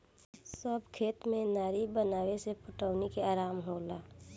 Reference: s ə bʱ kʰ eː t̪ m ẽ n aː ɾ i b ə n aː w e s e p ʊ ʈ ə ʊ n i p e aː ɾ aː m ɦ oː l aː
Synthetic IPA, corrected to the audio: s ə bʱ kʰ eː t̪ m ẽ n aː ɾ i b ə n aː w e s e p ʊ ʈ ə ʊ n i k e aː ɾ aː m ɦ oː l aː